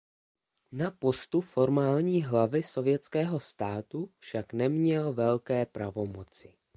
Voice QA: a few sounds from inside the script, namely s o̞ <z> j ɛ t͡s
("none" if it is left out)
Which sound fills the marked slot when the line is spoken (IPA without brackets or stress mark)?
v